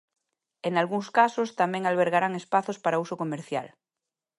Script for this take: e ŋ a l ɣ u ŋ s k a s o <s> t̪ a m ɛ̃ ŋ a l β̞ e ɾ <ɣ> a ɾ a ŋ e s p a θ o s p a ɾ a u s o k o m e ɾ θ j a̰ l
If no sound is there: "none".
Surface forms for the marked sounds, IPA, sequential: s, ɣ

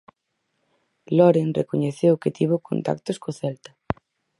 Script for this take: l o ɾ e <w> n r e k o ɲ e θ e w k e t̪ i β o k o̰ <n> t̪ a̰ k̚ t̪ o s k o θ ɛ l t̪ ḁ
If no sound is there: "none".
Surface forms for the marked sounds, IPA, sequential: none, n

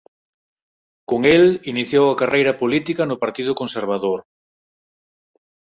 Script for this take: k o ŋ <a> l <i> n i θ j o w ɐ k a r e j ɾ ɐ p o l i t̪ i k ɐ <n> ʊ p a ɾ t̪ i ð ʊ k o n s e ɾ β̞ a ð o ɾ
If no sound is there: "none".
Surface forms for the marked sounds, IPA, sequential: e, i, n

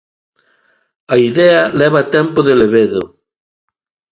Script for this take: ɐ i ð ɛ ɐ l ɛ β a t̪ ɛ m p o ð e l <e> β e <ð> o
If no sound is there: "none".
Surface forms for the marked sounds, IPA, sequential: e, ð

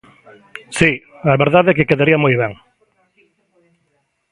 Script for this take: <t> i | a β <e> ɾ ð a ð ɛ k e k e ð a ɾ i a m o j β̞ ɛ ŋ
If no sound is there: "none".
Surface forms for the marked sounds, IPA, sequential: s, e

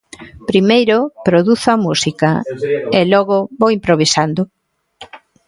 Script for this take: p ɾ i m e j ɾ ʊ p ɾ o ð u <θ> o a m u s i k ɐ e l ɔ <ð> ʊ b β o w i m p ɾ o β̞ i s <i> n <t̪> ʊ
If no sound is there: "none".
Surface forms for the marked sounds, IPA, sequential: θ, ɣ, a, d̪

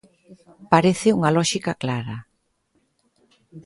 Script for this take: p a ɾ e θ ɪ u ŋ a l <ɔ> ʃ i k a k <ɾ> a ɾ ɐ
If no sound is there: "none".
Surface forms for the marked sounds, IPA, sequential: ɔ, l

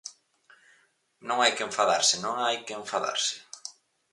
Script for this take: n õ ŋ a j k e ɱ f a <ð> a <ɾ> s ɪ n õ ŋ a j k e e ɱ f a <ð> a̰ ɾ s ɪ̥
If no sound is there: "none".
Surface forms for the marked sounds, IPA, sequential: ð, ɾ, ð

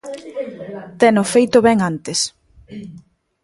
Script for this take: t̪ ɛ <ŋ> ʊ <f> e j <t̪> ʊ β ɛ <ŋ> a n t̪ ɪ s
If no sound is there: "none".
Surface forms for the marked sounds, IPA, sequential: n, f, t̪, ŋ

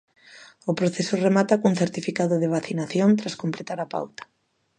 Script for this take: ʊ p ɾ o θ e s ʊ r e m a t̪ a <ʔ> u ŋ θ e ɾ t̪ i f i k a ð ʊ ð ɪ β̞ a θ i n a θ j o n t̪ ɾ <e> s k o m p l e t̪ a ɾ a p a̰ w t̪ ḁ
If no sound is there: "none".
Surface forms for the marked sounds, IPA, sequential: k, a

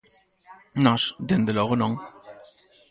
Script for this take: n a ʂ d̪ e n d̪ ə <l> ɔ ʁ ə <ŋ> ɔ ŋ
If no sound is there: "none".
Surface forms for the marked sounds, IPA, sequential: l, n

